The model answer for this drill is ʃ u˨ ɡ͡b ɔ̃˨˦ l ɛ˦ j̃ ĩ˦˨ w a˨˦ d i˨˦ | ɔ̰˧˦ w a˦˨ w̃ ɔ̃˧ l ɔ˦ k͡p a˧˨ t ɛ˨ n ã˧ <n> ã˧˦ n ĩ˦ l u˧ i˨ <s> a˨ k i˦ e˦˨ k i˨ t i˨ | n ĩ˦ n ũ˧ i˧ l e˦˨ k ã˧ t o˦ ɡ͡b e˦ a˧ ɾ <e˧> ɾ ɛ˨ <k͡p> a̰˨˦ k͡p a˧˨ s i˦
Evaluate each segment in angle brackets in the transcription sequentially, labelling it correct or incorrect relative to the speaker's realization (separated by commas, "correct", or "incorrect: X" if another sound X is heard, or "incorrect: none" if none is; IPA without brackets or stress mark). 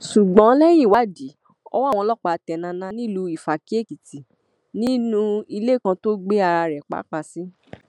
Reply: correct, incorrect: f, incorrect: a˧, correct